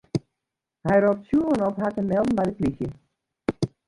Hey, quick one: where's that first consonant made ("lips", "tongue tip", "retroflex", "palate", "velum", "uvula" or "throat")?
throat